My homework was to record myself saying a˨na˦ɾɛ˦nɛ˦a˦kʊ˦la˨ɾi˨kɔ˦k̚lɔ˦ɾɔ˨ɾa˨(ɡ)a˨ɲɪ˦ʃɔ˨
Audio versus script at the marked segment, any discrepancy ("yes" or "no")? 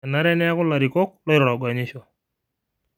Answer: no